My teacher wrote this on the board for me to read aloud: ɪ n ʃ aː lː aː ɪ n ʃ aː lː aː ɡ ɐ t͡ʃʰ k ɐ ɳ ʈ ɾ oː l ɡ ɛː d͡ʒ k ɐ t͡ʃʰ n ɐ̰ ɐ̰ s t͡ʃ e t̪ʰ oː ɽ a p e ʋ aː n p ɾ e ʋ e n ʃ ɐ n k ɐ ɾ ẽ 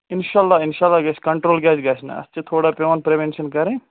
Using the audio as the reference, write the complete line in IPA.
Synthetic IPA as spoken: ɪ n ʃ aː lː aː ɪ n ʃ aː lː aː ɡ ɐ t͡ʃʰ k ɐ ɳ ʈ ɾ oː l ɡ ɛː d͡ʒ ɡ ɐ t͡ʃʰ n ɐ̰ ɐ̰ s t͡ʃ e t̪ʰ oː ɽ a p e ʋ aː n p ɾ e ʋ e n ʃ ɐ n k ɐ ɾ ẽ